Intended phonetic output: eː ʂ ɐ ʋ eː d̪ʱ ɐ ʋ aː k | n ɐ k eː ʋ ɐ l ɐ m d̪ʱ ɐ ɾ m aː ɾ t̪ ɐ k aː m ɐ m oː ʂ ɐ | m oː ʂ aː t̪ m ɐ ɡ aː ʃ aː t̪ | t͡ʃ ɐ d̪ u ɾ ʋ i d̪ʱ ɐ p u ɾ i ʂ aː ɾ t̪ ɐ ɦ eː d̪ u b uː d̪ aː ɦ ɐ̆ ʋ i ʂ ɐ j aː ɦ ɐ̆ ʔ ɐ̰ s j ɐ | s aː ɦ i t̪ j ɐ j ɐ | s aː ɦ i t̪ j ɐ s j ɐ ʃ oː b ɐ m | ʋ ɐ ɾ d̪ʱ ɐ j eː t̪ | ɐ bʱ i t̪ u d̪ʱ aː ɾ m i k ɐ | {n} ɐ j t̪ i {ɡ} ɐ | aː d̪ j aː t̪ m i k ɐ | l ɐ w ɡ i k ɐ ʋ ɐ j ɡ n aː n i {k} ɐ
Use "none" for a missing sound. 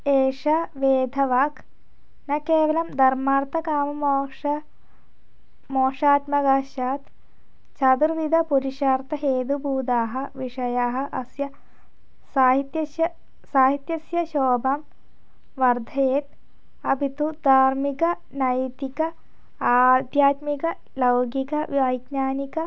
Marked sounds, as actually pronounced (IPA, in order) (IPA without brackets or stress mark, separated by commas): n, k, k